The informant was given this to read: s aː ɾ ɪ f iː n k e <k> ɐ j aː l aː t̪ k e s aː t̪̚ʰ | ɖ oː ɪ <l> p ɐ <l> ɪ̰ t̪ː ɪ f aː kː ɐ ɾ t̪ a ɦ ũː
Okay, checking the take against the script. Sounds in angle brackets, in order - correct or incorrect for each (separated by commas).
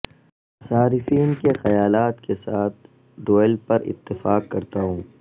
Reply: incorrect, correct, incorrect